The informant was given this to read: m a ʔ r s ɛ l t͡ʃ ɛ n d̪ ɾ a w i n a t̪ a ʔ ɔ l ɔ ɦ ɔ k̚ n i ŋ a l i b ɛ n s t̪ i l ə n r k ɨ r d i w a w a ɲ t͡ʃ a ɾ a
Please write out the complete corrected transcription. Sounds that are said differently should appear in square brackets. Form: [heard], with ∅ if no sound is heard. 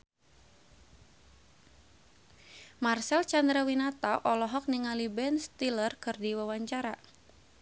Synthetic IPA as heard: m a [∅] r s ɛ l t͡ʃ [a] n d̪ ɾ a w i n a t̪ a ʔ ɔ l ɔ ɦ ɔ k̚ n i ŋ a l i b ɛ n s t̪ i l ə [∅] r k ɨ r d i w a w a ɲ t͡ʃ a ɾ a